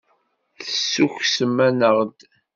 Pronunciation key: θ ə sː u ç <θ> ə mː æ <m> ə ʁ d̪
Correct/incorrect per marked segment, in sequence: incorrect, incorrect

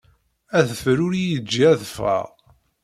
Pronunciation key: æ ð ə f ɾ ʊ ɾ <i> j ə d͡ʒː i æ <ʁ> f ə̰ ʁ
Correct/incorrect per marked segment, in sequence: correct, incorrect

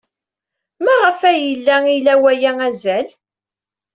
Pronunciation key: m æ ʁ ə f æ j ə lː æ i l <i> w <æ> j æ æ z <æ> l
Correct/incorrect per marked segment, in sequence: incorrect, correct, correct

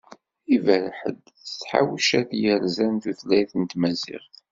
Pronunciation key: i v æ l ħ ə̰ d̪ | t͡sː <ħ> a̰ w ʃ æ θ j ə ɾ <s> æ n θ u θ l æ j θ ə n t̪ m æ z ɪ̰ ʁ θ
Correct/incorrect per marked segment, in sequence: correct, incorrect

